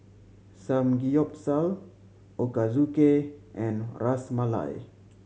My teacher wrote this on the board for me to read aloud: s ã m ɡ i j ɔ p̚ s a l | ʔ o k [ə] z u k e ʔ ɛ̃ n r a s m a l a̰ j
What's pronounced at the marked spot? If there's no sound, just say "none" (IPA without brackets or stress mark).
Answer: a